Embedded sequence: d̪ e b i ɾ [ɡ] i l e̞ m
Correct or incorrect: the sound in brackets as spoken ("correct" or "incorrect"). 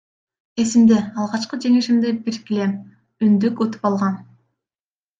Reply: incorrect